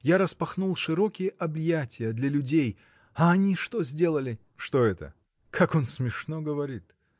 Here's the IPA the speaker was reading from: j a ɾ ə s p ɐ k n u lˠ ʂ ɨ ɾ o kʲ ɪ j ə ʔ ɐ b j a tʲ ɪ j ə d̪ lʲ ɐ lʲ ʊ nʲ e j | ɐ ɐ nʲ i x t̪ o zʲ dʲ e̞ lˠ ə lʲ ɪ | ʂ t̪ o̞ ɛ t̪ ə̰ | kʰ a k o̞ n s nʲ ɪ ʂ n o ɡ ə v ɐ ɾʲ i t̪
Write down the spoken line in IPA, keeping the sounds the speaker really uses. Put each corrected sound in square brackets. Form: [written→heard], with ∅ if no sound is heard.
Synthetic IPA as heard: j a ɾ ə s p ɐ [k→x] n u lˠ ʂ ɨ ɾ o kʲ ɪ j ə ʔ ɐ b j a tʲ ɪ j ə d̪ lʲ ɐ lʲ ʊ [nʲ→dʲ] e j | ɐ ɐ nʲ i [x→ʂ] t̪ o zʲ dʲ e̞ lˠ ə lʲ ɪ | ʂ t̪ o̞ ɛ t̪ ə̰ | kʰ a k o̞ n s [nʲ→mʲ] ɪ ʂ n o ɡ ə v ɐ ɾʲ i t̪